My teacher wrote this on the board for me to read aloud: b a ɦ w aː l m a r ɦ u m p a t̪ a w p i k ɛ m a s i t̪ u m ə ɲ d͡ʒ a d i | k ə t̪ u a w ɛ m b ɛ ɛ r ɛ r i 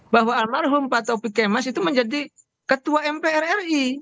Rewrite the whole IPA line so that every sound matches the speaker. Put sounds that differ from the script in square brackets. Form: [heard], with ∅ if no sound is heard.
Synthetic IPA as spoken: b a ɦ w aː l m a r ɦ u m p a t̪ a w p i k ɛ m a s i t̪ u m ə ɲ d͡ʒ a d i | k ə t̪ u a [∅] ɛ m [p] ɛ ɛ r ɛ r i